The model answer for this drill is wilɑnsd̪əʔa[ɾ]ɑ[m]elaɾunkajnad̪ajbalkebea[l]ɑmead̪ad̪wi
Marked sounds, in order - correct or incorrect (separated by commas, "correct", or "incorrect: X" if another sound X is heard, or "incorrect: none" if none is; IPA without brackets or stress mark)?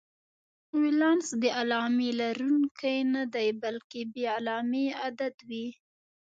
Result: incorrect: l, correct, correct